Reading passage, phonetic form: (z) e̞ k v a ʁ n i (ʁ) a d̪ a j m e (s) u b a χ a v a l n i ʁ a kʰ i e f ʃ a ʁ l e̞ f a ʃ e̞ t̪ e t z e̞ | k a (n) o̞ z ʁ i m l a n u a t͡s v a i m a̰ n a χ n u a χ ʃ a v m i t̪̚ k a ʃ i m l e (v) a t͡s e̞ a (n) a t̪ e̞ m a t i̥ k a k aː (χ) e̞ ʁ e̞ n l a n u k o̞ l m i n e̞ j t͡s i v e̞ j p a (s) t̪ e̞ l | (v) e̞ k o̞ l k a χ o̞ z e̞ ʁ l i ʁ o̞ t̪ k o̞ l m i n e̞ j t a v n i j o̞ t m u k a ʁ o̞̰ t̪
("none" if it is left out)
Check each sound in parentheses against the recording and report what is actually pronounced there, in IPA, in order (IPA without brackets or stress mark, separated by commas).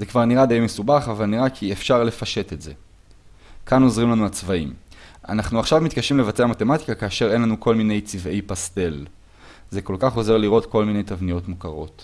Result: z, ʁ, s, n, v, m, ʃ, s, z